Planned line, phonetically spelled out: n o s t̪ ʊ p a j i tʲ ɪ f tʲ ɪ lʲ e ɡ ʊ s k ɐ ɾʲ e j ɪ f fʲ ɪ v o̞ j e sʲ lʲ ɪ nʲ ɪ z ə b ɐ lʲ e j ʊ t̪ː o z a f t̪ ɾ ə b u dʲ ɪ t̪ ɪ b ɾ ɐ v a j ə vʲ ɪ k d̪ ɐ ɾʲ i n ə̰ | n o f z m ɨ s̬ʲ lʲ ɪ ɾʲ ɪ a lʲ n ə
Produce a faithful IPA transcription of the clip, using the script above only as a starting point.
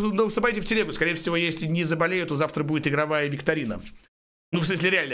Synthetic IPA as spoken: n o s t̪ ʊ p a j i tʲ ɪ f tʲ ɪ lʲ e ɡ ʊ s k ɐ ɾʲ e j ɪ f sʲ ɪ v o̞ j e sʲ lʲ ɪ nʲ ɪ z ə b ɐ lʲ e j ʊ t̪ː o z a f t̪ ɾ ə b u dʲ ɪ t̪ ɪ ɡ ɾ ɐ v a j ə vʲ ɪ k t̪ ɐ ɾʲ i n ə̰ | n u f s m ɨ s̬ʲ lʲ ɪ ɾʲ ɪ a lʲ n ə